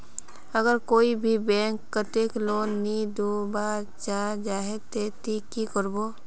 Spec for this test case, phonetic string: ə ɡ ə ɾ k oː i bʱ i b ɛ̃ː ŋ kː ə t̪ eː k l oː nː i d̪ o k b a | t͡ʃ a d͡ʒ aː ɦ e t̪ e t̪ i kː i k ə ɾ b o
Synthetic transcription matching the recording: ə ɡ ə ɾ k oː i bʱ i b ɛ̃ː ŋ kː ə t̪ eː k l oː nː i d̪ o b a | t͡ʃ a d͡ʒ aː ɦ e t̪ e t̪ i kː i k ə ɾ b o